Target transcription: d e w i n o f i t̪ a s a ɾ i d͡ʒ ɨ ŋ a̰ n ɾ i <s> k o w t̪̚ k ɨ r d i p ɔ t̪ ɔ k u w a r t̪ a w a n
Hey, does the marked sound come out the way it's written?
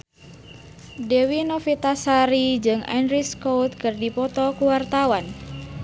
yes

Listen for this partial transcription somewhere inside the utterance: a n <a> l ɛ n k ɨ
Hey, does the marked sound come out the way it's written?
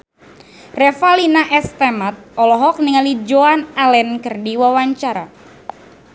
yes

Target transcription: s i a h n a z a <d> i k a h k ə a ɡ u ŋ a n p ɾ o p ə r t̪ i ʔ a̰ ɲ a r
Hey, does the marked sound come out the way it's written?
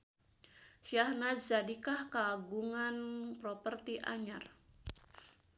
yes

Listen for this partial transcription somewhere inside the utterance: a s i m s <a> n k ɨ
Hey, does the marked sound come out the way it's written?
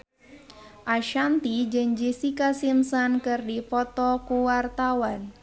yes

